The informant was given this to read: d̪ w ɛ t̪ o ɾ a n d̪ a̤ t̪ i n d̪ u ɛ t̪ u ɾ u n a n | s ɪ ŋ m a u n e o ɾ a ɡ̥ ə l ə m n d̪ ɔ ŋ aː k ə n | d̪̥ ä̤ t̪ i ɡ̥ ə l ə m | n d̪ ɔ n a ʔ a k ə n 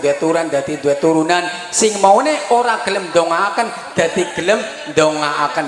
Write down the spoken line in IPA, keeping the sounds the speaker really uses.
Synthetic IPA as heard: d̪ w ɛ t̪ u ɾ a n d̪ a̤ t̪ i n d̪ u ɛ t̪ u ɾ u n a n | s ɪ ŋ m a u n e o ɾ a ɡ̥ ə l ə m n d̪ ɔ ŋ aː k ə n | d̪̥ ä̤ t̪ i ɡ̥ ə l ə m | n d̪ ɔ ŋ a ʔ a k ə n